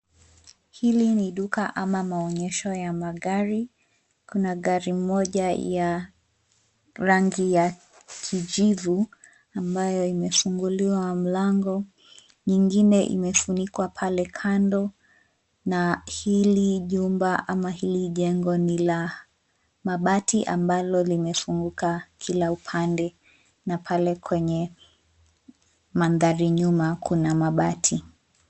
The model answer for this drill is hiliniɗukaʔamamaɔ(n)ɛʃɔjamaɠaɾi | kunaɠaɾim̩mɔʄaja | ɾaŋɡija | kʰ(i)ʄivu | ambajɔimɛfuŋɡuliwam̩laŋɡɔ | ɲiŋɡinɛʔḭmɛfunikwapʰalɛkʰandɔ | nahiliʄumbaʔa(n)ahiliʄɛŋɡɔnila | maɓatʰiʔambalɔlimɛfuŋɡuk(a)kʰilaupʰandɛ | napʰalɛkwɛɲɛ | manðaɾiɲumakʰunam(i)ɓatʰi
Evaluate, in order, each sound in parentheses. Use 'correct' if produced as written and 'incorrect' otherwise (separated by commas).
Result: incorrect, correct, incorrect, correct, incorrect